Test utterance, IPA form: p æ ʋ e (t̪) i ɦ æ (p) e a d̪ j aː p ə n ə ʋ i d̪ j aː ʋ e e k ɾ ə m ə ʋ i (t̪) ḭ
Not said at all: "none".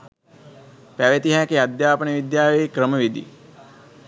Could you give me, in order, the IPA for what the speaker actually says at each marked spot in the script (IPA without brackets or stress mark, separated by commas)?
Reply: t̪, k, d̪